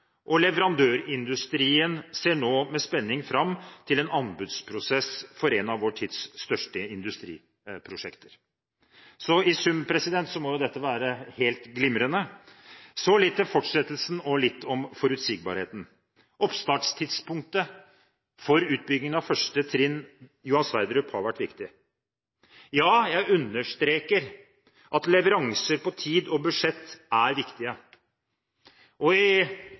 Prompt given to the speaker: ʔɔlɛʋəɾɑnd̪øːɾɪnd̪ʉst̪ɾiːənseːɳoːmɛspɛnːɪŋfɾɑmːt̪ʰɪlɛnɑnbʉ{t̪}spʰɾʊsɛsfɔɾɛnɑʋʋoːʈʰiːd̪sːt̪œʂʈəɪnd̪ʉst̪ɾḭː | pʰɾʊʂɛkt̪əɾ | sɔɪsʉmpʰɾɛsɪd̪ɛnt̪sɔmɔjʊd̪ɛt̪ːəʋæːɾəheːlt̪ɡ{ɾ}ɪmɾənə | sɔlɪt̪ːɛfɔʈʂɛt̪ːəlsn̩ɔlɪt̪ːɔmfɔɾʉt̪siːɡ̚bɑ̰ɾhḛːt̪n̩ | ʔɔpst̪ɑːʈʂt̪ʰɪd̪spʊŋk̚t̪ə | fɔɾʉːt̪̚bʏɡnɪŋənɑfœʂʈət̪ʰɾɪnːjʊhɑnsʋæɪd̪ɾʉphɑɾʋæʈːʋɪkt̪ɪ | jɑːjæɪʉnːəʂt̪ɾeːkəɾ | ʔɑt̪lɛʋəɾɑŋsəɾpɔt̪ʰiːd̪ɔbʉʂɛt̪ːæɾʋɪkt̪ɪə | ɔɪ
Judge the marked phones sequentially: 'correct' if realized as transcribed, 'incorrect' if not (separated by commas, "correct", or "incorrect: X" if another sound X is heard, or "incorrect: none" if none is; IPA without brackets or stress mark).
incorrect: d̪, incorrect: l